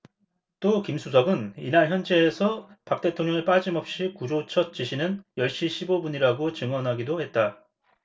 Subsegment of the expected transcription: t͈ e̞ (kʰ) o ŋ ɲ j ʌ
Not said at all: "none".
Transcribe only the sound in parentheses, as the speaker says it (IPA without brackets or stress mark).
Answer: tʰ